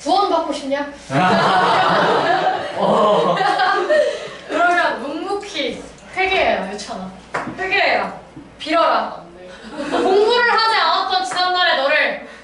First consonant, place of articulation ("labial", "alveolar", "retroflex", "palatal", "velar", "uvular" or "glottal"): labial